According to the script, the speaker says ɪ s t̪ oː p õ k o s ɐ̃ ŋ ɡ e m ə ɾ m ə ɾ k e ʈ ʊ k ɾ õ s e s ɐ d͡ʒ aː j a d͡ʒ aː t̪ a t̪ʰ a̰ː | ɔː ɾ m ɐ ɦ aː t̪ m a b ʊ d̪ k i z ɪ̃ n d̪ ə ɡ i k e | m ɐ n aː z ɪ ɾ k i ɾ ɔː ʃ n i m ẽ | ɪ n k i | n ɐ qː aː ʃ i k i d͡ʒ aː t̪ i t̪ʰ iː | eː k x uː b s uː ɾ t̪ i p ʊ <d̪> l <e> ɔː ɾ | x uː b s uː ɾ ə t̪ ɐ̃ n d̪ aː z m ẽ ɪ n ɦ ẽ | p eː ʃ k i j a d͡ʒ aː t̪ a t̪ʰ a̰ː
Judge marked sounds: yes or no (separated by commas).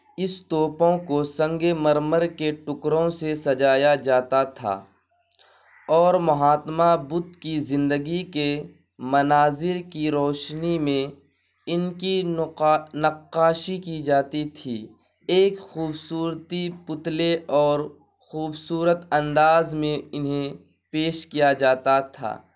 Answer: no, yes